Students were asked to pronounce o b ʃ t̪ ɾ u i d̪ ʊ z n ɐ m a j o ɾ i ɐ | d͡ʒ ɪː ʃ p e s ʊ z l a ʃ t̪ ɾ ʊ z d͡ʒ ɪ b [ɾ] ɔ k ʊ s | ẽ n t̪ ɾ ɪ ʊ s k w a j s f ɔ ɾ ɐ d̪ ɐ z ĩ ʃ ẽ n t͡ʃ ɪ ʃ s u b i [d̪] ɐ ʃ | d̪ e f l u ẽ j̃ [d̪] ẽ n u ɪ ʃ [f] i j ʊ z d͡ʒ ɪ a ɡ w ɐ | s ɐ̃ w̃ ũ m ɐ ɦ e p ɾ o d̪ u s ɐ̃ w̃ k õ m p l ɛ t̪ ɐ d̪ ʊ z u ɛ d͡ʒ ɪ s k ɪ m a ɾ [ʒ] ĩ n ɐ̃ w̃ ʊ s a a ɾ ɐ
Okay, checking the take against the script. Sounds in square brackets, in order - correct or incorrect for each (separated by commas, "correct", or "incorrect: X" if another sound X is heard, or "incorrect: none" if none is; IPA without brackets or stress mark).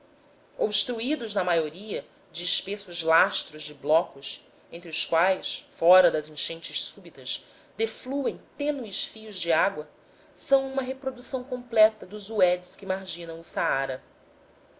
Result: incorrect: l, incorrect: t̪, incorrect: t̪, correct, correct